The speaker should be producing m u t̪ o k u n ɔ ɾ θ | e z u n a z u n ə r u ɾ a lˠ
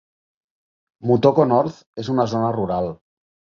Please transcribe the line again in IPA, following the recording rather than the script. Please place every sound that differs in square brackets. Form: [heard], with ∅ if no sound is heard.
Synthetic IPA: m u t̪ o k [o] n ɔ ɾ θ | e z u n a z [o] n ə r u ɾ a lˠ